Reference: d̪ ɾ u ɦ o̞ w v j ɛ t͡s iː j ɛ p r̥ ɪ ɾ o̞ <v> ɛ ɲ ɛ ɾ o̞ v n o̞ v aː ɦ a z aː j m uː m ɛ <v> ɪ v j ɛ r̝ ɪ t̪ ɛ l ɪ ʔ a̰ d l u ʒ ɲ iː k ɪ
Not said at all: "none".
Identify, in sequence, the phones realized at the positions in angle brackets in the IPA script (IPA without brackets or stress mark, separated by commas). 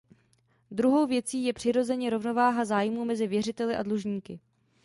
z, z